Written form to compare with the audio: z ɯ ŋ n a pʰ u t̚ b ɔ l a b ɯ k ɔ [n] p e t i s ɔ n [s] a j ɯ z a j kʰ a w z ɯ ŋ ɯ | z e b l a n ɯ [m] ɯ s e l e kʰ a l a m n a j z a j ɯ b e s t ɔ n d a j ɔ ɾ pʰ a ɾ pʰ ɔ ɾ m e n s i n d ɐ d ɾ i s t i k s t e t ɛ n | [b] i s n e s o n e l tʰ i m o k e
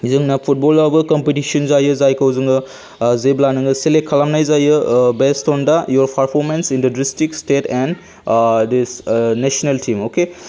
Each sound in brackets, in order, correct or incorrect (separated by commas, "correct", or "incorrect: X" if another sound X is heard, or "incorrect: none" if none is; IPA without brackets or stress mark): incorrect: m, incorrect: z, incorrect: ŋ, incorrect: d